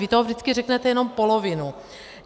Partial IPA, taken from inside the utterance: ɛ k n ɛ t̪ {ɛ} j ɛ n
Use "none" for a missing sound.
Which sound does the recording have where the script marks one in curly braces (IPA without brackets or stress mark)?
ɛ